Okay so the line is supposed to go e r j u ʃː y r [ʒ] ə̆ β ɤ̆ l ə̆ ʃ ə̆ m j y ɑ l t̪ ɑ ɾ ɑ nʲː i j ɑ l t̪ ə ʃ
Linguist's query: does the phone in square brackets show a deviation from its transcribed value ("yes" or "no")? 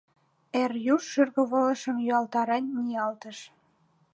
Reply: yes